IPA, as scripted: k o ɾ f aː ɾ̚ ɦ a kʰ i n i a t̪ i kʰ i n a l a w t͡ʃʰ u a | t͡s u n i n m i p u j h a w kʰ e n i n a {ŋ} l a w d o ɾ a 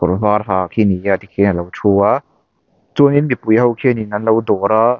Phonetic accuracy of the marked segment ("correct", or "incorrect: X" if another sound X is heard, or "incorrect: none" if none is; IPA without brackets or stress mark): incorrect: n